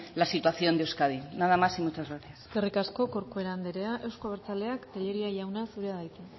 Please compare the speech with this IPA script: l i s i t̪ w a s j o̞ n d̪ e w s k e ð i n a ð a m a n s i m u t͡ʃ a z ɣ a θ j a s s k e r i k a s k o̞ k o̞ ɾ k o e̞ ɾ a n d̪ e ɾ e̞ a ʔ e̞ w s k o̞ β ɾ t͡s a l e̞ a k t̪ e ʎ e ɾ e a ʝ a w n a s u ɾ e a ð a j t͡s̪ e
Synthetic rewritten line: l a s i t̪ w a θ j o̞ n d̪ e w s k a ð i n a ð a m a s i m u t͡ʃ a z ɣ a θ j a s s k e r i k a s k o̞ k o̞ ɾ k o e̞ ɾ a n d̪ e ɾ e̞ a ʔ e̞ w s k o̞ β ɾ t͡s a l e̞ a k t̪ e ʎ e ɾ i a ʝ a w n a s u ɾ e a ð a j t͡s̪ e